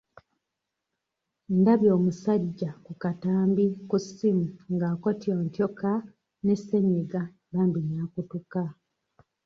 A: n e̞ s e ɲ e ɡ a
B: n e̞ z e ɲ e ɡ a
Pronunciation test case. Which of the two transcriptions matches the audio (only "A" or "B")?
A